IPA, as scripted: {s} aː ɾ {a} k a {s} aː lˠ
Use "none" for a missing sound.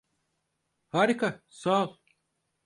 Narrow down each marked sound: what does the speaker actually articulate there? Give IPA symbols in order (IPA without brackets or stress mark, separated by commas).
h, i, s